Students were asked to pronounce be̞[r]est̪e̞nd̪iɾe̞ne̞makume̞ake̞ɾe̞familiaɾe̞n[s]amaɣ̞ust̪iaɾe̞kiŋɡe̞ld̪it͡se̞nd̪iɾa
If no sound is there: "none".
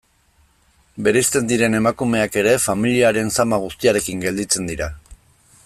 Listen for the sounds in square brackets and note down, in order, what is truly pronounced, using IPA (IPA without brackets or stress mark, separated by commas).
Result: ɾ, s